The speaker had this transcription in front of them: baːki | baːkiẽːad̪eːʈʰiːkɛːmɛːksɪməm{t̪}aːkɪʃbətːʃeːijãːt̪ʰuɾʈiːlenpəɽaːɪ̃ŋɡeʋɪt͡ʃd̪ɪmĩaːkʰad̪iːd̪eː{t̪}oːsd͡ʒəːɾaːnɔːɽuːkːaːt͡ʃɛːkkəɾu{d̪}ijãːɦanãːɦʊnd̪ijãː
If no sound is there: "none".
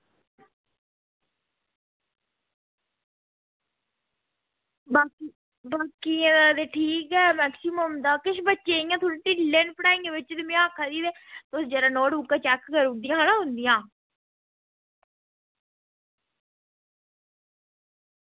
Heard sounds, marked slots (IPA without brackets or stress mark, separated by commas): d̪, t̪, d̪